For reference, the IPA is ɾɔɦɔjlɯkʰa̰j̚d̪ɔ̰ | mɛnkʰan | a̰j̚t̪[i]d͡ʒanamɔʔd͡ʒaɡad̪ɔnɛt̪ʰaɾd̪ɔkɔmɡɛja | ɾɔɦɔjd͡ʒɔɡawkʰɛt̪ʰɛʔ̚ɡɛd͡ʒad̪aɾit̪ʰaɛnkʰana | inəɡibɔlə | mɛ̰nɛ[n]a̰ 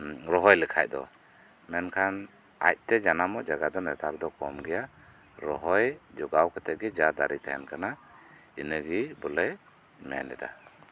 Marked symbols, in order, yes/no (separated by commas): no, no